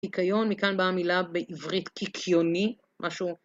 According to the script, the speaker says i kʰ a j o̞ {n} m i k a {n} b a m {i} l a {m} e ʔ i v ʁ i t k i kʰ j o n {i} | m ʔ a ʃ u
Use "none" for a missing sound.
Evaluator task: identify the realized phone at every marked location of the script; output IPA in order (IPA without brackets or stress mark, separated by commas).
n, n, i, b, i